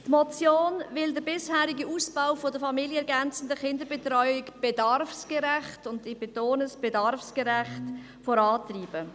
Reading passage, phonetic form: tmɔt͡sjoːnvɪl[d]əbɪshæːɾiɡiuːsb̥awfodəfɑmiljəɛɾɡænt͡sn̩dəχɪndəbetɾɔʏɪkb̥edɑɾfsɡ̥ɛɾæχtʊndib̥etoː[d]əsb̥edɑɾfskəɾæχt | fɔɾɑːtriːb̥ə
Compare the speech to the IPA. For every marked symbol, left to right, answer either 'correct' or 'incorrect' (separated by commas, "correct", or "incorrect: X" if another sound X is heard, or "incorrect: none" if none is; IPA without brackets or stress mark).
correct, incorrect: n